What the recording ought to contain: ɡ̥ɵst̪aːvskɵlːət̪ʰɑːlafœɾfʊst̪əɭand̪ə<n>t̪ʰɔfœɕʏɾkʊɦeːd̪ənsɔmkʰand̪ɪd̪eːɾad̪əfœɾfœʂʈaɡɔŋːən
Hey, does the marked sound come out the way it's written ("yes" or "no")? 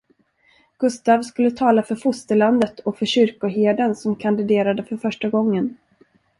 no